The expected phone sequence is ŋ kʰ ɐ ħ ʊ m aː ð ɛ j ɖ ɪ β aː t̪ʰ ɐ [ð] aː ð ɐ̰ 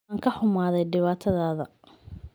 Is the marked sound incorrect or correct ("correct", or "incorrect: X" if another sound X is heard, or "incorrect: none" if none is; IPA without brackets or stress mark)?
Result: correct